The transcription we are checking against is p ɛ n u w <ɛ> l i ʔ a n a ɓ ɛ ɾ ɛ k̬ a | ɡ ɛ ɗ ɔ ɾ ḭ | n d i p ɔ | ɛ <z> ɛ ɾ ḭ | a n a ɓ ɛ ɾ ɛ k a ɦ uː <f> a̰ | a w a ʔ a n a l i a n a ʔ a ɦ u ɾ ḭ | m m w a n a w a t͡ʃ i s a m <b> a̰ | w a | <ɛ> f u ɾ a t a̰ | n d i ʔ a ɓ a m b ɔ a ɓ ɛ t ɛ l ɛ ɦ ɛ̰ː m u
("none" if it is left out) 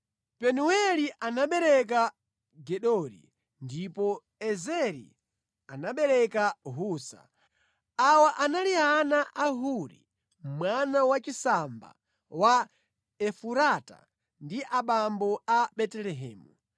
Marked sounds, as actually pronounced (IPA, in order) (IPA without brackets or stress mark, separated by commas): ɛ, z, s, b, ɛ